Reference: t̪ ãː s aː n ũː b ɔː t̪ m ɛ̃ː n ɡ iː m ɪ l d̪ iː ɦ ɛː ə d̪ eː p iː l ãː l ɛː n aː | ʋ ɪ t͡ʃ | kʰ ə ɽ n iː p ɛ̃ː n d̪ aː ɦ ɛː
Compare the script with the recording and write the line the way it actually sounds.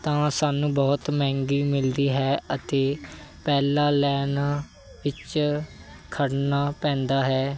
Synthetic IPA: t̪ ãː s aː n ũː b ɔː t̪ m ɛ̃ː ŋ ɡ iː m ɪ l d̪ iː ɦ ɛː ə t̪ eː p ɛː l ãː l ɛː n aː | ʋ ɪ t͡ʃ | kʰ ə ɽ n aː p ɛ̃ː n d̪ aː ɦ ɛː